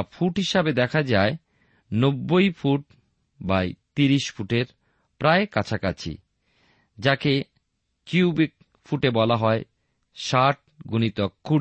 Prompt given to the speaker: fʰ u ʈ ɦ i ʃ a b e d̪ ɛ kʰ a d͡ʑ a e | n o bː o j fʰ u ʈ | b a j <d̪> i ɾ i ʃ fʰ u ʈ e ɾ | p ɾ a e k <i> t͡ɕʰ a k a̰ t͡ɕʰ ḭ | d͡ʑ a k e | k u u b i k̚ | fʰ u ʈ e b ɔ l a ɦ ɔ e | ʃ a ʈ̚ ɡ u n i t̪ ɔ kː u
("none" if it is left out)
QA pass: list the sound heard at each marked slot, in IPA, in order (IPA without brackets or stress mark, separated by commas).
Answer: t̪, a